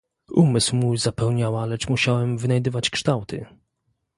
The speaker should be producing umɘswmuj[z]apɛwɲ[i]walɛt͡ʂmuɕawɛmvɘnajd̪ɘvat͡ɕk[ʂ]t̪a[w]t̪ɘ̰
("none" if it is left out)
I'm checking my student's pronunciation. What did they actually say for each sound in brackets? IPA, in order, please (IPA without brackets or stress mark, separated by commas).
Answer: z, a, ʂ, w